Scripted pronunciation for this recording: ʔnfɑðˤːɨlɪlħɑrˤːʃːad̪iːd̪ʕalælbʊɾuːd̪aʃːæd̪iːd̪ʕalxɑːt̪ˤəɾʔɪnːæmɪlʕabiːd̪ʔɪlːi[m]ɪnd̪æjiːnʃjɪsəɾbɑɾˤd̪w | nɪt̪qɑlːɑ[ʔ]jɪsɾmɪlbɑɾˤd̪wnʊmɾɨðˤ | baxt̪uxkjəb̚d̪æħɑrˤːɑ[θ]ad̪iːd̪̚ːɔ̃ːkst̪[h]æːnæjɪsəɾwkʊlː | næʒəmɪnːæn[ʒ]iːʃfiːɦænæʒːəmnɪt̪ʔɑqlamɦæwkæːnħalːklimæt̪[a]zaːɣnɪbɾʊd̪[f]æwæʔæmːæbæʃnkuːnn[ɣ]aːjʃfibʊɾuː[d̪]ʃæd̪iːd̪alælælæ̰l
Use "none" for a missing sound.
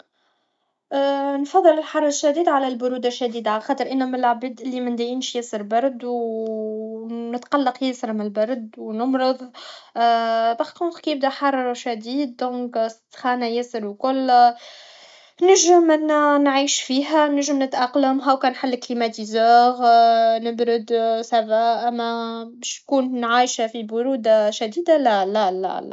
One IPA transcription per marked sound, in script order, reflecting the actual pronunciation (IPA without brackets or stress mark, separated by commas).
m, q, ʃ, x, ʕ, i, s, ʕ, d̪